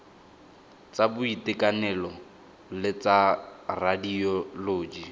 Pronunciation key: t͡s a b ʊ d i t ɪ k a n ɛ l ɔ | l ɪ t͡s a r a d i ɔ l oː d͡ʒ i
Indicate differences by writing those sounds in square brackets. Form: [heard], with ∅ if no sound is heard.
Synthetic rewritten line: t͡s a b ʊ [∅] i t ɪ k a n ɛ l ɔ | l ɪ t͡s a r a d i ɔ l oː d͡ʒ i